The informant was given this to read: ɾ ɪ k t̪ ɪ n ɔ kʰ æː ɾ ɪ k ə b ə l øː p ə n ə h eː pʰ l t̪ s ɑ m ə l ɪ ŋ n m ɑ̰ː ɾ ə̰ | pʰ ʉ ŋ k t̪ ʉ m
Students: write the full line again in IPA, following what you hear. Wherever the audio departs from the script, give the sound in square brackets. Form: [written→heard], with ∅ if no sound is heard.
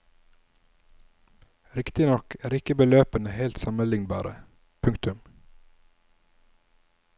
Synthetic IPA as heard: ɾ ɪ k t̪ ɪ n ɔ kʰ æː ɾ ɪ k ə b ə l øː p ə n ə h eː [pʰ→∅] l t̪ s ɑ m ə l ɪ ŋ n [m→b] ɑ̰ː ɾ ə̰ | pʰ ʉ ŋ k t̪ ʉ m